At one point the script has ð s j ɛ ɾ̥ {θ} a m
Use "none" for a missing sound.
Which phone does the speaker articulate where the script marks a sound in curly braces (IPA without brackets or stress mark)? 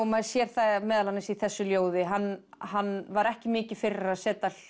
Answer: θ